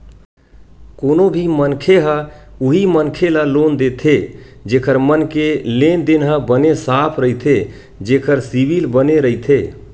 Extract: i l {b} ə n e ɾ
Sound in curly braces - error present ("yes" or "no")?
no